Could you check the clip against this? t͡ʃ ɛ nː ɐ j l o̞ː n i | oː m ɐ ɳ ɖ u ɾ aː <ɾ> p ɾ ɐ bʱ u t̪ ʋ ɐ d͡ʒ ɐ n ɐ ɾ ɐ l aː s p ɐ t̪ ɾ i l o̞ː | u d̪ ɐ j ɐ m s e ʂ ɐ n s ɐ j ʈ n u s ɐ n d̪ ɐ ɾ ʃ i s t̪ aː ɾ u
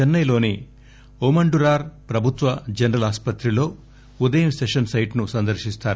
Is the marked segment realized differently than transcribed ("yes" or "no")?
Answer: no